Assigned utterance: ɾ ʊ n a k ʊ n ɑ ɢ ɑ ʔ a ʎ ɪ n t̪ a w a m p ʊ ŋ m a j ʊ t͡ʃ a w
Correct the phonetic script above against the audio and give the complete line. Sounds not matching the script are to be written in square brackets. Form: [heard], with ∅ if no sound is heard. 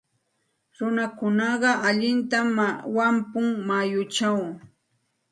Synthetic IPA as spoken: ɾ ʊ n a k ʊ n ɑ ɢ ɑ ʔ a ʎ ɪ n t̪ a w a m p ʊ ŋ m a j ʊ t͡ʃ a w